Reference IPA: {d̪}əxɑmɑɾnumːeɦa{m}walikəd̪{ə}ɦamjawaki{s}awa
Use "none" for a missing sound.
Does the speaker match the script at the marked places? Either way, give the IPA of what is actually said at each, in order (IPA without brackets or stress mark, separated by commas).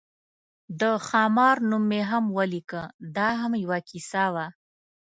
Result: d̪, m, ɑ, s